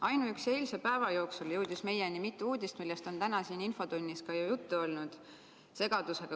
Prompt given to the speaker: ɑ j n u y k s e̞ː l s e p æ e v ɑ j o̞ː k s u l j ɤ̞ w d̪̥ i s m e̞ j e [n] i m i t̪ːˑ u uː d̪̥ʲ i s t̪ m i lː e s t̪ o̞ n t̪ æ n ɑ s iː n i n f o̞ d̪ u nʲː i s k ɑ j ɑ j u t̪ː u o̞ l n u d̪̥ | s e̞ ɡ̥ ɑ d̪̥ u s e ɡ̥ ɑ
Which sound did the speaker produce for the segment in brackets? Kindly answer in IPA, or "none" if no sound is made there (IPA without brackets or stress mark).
n